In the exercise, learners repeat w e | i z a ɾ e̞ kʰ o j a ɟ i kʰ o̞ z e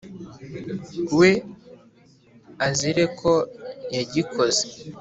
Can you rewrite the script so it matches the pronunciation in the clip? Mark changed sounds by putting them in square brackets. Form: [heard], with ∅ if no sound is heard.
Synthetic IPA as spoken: w e | [a] z [i] ɾ e̞ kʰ o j a ɟ i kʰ o̞ z e